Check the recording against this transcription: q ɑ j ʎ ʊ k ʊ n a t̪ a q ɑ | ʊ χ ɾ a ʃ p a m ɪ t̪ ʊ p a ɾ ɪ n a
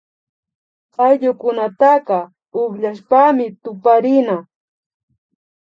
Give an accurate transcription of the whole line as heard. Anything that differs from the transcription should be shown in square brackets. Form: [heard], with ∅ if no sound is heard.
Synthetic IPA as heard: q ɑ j ʎ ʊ k ʊ n a t̪ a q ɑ | ʊ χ [ʎ] a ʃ p a m ɪ t̪ ʊ p a ɾ ɪ n a